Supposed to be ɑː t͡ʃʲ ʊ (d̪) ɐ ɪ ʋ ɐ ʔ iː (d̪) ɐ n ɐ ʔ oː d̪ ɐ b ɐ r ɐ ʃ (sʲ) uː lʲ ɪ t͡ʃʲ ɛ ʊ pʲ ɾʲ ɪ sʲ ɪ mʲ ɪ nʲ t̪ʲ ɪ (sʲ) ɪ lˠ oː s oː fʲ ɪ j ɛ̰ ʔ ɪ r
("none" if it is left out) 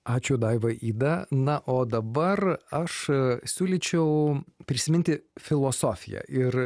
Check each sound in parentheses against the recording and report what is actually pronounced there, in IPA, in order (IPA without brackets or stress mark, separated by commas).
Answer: d̪, d̪, sʲ, fʲ